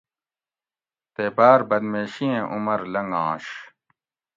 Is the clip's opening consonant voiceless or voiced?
voiceless